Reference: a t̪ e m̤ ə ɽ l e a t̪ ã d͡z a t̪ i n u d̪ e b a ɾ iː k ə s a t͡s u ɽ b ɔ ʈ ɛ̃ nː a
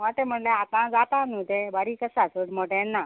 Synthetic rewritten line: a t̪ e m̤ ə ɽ l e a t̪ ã d͡z a t̪ a n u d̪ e b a ɾ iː k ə s a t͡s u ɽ m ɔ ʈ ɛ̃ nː a